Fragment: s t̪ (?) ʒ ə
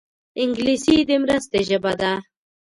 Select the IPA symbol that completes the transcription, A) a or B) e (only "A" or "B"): B